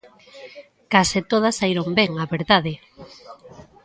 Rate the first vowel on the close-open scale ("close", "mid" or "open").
open